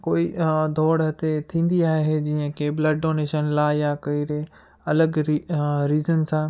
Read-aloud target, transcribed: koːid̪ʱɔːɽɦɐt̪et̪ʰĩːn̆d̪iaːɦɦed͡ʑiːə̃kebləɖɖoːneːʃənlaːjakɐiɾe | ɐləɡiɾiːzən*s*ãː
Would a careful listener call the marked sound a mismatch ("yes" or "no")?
no